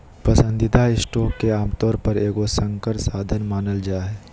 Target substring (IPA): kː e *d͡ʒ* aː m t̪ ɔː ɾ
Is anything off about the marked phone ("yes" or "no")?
yes